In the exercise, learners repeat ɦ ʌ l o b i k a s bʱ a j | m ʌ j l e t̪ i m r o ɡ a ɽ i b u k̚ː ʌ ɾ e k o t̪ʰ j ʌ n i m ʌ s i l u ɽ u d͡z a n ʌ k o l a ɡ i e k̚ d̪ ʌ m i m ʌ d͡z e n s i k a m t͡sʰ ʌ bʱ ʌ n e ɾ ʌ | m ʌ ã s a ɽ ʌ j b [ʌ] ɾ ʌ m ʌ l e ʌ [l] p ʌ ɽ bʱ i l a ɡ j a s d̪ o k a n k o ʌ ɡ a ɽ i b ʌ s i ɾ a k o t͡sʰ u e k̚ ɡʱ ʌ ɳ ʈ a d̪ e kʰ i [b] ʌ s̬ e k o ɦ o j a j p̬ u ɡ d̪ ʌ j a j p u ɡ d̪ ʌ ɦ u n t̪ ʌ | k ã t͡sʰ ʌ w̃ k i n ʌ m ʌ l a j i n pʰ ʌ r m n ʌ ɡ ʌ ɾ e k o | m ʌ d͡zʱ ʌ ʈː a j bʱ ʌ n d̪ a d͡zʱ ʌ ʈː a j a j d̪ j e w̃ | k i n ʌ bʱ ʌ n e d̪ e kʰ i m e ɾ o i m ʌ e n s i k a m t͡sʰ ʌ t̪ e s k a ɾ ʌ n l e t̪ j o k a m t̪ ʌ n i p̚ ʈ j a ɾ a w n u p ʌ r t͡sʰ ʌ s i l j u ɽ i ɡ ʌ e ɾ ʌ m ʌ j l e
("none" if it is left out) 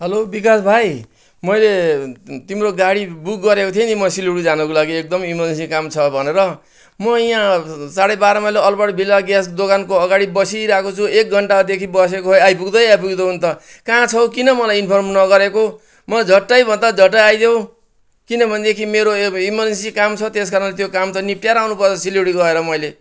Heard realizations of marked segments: a, l, b

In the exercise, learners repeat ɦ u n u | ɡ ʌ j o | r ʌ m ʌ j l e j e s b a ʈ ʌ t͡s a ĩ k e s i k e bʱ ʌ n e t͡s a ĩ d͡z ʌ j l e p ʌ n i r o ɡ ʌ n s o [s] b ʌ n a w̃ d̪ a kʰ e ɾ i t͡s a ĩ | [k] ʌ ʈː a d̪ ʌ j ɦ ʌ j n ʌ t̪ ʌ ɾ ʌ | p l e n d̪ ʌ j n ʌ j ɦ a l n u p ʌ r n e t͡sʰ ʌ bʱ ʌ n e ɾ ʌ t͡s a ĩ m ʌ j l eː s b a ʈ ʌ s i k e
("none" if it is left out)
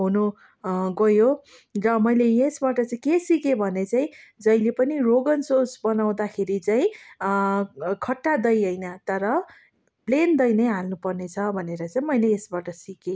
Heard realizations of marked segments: s, kʰ

